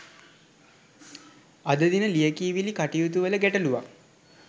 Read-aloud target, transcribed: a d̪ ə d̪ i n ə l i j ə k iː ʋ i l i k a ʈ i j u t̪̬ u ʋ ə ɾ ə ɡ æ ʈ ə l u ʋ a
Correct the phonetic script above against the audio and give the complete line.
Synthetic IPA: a d̪ ə d̪ i n ə l i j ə k iː ʋ i l i k a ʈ i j u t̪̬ u ʋ ə l ə ɡ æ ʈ ə l u ʋ a